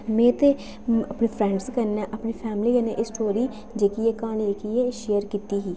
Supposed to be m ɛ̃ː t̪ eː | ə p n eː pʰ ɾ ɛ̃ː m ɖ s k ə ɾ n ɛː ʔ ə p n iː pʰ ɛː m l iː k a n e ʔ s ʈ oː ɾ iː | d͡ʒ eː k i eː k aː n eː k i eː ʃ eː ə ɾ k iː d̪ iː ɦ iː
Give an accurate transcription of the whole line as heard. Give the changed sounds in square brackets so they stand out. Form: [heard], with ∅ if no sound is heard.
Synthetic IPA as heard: m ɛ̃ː t̪ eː | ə p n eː pʰ ɾ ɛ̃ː [ɳ] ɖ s k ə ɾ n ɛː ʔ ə p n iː pʰ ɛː m l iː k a n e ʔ s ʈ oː ɾ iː | d͡ʒ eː k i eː k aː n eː k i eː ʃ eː ə ɾ k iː [t̪] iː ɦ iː